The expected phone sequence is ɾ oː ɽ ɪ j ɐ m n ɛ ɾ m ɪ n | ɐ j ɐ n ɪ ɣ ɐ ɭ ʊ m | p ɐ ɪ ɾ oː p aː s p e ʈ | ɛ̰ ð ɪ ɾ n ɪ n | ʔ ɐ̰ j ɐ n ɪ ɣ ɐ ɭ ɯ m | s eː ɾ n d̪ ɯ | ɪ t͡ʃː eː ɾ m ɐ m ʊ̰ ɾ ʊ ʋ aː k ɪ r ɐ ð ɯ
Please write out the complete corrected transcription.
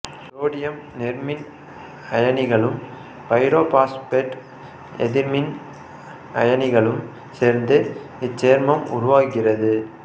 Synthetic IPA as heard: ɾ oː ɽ ɪ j ɐ m n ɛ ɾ m ɪ n | ɐ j ɐ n ɪ ɣ ɐ ɭ ɯ m | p ɐ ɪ ɾ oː p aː s p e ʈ | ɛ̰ ð ɪ ɾ m ɪ n | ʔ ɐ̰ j ɐ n ɪ ɣ ɐ ɭ ɯ m | s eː ɾ n d̪ ɯ | ɪ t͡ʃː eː ɾ m ɐ m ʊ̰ ɾ ʊ ʋ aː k ɪ r ɐ ð ɯ